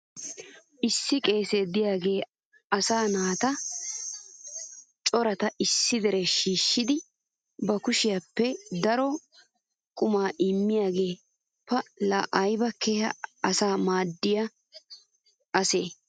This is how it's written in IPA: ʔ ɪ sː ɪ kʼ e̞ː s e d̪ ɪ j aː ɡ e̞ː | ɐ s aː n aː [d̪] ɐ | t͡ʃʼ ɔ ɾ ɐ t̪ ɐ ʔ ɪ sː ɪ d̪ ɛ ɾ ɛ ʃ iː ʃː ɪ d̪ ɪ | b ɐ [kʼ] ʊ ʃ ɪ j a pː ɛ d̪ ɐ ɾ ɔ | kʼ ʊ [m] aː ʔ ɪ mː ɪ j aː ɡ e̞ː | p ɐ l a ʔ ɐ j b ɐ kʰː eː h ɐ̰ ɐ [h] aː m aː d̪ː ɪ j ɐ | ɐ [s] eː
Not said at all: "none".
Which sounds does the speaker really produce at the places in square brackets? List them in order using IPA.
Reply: t̪, k, m, s, s

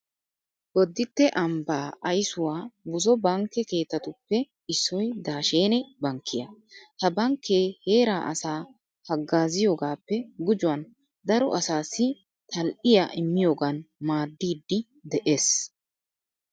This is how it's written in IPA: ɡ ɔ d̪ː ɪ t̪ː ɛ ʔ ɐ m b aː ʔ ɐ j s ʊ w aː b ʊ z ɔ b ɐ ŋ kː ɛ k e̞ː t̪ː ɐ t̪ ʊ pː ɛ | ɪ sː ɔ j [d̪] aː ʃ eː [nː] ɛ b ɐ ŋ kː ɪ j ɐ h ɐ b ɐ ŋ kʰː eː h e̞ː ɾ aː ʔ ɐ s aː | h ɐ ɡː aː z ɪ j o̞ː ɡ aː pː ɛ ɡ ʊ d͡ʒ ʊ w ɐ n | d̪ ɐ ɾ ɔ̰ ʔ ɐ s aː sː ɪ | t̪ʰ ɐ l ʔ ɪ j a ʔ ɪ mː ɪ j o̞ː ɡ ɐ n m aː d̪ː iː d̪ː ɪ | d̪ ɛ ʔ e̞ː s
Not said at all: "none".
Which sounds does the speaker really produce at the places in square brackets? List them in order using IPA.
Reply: d̪, n

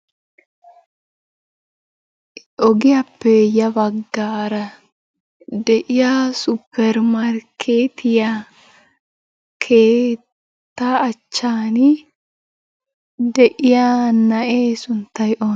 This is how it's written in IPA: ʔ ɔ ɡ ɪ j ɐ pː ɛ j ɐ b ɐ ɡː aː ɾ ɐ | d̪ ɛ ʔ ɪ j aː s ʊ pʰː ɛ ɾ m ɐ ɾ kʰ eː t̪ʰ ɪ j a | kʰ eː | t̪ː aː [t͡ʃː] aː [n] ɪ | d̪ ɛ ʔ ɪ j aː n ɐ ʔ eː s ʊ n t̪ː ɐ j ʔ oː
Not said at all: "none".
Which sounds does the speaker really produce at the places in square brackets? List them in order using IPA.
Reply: t͡ʃː, n

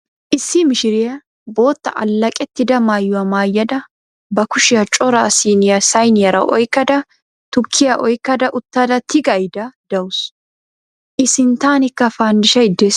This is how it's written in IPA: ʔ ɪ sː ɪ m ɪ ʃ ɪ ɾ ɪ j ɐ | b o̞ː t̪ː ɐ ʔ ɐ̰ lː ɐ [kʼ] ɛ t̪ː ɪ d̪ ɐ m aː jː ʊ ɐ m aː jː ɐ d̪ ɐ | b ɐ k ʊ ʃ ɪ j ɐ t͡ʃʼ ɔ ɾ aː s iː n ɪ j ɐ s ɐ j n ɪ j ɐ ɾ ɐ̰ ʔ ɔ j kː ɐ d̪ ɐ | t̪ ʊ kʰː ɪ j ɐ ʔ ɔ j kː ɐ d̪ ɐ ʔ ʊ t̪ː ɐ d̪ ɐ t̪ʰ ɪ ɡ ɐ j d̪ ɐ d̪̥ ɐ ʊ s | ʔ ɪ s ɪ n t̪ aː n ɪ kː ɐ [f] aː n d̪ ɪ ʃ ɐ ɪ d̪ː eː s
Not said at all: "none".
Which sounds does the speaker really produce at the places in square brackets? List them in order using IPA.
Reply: kʼ, f

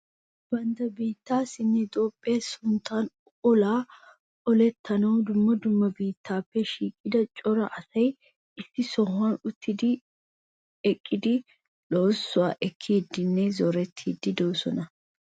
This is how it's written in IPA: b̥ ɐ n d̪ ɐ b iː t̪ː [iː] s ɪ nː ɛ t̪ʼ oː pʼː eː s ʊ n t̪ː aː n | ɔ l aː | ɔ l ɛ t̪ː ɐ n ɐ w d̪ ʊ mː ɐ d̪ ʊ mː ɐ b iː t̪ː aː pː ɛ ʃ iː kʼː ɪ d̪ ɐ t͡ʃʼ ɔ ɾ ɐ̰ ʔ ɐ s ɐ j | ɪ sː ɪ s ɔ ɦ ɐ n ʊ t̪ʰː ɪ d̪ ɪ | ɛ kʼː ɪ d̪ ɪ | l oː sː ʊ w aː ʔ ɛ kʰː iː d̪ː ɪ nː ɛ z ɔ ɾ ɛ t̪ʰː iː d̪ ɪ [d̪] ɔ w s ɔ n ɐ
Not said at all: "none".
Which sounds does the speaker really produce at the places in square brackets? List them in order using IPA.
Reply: aː, d̪

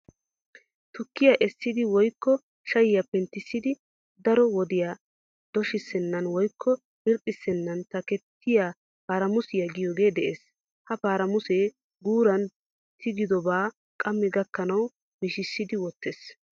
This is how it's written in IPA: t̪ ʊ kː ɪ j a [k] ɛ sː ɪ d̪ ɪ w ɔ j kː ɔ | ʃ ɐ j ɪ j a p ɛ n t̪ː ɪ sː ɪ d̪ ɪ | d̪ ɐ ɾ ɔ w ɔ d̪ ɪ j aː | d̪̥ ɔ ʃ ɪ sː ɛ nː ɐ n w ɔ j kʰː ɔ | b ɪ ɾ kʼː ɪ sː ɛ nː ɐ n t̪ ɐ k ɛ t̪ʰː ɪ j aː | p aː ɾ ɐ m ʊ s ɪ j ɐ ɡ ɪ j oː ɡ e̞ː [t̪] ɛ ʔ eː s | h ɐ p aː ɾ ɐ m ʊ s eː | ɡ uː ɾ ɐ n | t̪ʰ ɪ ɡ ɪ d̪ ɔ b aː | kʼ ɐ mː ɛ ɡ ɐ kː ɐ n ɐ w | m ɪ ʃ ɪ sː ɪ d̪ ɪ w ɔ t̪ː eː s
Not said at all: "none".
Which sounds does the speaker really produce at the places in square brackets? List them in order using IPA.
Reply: ʔ, d̪

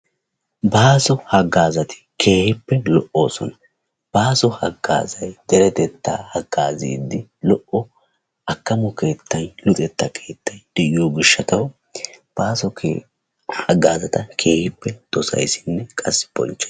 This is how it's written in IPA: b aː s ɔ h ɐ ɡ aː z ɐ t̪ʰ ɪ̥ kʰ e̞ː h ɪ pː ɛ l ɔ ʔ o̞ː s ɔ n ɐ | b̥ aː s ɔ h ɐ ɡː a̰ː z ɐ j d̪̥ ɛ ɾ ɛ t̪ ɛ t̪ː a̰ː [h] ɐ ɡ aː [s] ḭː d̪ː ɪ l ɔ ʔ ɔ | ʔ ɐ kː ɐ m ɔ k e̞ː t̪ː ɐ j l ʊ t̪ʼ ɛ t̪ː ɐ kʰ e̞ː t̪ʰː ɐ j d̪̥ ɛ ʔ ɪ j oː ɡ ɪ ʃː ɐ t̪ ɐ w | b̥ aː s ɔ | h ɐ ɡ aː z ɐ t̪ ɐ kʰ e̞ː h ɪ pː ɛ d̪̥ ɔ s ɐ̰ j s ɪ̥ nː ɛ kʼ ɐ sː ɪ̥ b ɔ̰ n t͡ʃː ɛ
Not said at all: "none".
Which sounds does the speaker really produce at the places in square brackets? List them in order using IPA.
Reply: h, z

